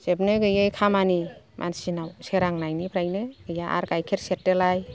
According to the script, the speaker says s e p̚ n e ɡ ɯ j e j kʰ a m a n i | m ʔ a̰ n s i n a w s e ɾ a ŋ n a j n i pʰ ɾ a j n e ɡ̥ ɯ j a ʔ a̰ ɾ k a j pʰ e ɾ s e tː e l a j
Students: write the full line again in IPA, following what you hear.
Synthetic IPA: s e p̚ n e ɡ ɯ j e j kʰ a m a n i | m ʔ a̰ n s i n a w s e ɾ a ŋ n a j n i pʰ ɾ a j n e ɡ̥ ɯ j a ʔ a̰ ɾ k a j kʰ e ɾ s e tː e l a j